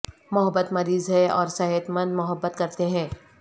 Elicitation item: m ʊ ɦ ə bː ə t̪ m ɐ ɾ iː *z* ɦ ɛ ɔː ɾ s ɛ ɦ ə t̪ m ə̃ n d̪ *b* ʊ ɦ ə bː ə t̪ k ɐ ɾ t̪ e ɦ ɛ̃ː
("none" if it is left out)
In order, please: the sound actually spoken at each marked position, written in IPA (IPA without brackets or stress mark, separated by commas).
z, m